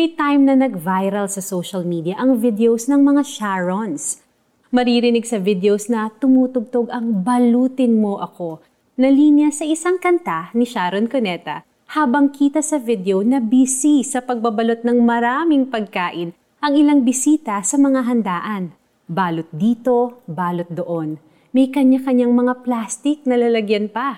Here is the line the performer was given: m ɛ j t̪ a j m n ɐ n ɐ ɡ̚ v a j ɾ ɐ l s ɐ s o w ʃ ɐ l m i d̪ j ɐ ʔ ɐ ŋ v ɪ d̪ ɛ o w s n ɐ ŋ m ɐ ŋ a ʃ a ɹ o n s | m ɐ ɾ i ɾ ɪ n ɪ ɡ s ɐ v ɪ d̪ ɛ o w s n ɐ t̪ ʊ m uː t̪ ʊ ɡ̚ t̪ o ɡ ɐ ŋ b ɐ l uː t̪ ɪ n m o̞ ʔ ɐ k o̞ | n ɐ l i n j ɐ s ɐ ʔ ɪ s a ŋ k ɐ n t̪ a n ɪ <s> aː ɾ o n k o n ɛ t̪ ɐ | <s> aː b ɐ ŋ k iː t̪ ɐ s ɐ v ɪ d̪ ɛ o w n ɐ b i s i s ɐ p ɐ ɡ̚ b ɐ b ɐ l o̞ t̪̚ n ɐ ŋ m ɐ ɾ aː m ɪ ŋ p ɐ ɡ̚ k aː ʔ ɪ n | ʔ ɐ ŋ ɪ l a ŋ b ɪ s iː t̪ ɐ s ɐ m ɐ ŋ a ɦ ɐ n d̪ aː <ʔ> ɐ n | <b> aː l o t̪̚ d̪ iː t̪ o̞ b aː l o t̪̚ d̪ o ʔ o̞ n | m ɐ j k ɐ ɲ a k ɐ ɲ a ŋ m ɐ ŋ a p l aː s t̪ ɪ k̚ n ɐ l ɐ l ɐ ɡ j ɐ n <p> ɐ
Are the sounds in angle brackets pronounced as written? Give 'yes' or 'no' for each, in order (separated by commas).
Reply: no, no, yes, yes, yes